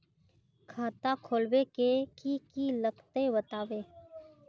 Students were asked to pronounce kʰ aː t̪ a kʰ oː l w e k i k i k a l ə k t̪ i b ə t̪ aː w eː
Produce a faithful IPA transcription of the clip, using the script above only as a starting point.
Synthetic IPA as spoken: kʰ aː t̪ a kʰ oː l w e k e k i k i l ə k t̪ e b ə t̪ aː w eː